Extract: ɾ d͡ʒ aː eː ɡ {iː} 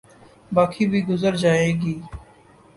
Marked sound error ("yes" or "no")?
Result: no